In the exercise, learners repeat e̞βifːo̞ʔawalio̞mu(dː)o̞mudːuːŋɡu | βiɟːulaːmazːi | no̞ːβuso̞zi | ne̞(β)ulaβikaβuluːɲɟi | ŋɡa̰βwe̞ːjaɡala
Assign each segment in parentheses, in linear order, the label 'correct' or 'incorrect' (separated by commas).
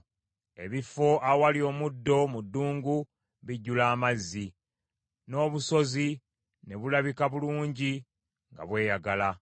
correct, correct